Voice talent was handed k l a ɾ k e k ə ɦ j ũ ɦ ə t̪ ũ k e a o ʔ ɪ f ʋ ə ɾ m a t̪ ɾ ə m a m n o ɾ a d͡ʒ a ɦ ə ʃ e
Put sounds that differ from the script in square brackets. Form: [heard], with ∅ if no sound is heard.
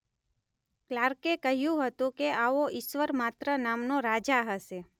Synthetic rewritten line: k l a ɾ k e k ə ɦ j ũ ɦ ə t̪ ũ k e a o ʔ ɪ [ʃ] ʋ ə ɾ m a t̪ ɾ ə [n] a m n o ɾ a d͡ʒ a ɦ ə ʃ e